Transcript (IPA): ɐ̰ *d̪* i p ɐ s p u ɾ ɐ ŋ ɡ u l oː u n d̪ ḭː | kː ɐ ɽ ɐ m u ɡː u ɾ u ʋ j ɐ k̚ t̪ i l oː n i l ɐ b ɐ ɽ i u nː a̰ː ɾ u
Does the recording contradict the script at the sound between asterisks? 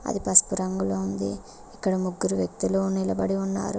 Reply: no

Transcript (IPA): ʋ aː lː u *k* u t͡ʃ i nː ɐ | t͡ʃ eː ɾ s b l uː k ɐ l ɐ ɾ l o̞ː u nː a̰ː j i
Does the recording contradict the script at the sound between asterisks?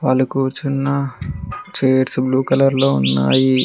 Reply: no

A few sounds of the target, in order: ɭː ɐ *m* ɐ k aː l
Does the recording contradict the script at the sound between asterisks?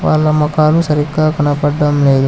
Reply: no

